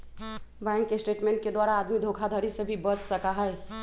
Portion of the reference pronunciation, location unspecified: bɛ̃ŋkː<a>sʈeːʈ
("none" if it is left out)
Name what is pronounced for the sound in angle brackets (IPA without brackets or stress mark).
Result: e